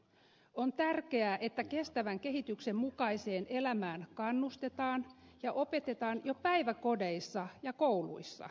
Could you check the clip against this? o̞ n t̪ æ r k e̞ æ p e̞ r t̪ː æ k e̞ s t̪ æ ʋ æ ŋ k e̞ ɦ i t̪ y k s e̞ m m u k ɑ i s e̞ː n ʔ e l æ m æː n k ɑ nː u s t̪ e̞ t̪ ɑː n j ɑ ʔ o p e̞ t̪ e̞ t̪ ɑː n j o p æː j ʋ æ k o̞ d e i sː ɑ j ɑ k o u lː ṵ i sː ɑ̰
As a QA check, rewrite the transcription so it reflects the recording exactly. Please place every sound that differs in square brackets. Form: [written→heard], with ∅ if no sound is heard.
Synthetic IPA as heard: o̞ n t̪ æ r k e̞ æ [p→ʔ] e̞ [r→∅] t̪ː æ k e̞ s t̪ æ ʋ æ ŋ k e̞ ɦ i t̪ y k s e̞ m m u k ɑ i s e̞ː n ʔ e l æ m æː n k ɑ nː u s t̪ e̞ t̪ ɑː n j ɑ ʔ o p e̞ t̪ e̞ t̪ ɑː n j o p [æː→æ] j ʋ æ k o̞ d e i sː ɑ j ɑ k o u [lː→l] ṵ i sː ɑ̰